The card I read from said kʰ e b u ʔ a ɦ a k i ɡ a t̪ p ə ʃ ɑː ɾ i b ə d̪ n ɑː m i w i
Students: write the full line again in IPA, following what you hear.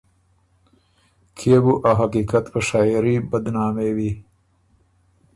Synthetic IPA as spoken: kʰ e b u ʔ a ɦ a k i k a t̪ p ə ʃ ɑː ɾ i b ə d̪ n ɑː m e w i